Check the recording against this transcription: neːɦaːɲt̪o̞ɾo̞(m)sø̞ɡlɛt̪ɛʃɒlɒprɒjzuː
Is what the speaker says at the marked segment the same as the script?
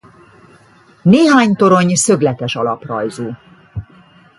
no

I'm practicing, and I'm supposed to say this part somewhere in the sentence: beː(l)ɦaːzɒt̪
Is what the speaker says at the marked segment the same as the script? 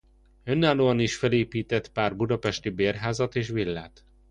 no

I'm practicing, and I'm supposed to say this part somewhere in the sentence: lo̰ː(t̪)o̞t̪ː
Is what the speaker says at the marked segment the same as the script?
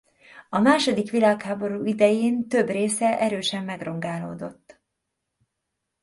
no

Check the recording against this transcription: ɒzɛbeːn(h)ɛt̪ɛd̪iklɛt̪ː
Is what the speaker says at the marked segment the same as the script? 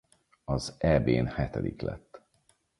yes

